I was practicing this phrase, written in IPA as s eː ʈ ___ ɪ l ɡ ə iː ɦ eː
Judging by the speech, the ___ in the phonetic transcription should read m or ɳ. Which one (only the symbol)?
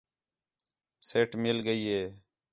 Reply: m